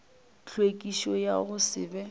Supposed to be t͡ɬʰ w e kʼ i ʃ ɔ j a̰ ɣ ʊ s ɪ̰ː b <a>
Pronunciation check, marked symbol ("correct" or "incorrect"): incorrect